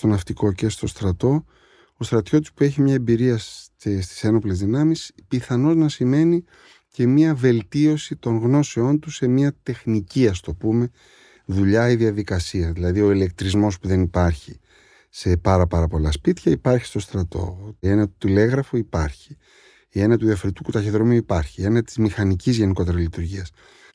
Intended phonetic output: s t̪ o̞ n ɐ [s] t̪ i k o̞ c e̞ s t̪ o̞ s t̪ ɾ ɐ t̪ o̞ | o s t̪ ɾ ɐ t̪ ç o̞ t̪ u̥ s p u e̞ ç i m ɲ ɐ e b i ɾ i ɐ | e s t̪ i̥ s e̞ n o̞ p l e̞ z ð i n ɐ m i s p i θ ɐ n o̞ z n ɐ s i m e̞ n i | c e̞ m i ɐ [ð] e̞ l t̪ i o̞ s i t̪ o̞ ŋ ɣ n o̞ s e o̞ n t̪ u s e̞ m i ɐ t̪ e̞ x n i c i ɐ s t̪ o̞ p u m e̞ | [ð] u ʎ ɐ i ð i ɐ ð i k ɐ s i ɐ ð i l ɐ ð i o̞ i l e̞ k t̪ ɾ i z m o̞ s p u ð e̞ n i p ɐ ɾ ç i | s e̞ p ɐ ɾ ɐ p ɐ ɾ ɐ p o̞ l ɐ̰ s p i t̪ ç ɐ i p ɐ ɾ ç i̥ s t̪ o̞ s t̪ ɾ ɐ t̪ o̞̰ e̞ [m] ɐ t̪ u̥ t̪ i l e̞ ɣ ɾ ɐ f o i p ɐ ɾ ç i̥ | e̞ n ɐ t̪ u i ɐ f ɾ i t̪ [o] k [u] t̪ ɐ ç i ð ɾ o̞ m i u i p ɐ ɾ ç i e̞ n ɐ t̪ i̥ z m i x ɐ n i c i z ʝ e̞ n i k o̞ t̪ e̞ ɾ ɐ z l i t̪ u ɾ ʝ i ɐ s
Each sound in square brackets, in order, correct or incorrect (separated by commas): incorrect, incorrect, correct, incorrect, incorrect, correct